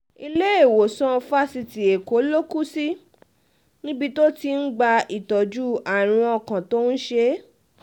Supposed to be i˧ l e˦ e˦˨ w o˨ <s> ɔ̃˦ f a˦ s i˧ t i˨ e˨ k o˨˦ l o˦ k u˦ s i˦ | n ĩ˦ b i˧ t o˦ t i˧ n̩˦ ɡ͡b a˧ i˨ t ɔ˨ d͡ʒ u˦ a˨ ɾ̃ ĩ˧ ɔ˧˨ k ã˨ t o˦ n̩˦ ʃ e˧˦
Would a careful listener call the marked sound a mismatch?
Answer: no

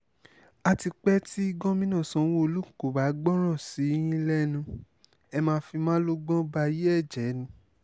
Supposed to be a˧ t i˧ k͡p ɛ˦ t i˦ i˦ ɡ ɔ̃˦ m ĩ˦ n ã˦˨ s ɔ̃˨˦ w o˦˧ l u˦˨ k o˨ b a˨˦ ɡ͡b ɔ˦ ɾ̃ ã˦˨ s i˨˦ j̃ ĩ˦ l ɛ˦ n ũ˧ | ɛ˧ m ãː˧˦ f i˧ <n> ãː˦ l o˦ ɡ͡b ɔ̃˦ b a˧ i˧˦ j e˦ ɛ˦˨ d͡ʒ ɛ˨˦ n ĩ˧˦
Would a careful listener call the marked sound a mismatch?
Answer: yes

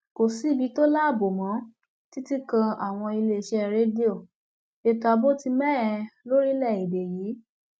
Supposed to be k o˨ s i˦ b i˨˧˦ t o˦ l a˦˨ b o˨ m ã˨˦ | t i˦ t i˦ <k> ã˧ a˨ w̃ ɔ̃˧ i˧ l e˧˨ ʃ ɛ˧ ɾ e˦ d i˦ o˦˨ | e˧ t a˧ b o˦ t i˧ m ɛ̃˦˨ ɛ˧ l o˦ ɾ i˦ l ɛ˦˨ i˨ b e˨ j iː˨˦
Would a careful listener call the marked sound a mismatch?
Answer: no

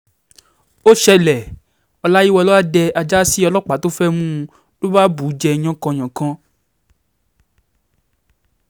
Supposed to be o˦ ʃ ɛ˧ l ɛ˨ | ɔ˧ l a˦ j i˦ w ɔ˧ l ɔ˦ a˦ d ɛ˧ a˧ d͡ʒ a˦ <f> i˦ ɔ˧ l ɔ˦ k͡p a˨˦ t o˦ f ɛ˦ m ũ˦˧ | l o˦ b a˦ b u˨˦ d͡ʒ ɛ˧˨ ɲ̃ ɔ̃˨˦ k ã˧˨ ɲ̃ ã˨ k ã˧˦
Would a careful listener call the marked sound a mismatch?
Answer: yes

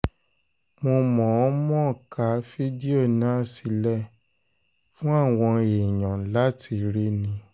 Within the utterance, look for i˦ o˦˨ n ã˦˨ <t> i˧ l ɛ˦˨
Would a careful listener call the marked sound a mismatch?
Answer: yes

